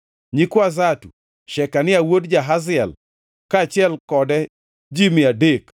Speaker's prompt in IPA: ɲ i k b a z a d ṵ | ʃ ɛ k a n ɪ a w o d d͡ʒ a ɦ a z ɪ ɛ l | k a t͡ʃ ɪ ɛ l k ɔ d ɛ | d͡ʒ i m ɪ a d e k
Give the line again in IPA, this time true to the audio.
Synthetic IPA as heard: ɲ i k w a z a t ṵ | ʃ ɛ k a n ɪ a w o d d͡ʒ a ɦ a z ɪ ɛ l | k a t͡ʃ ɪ ɛ l k ɔ d ɛ | d͡ʒ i m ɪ a d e k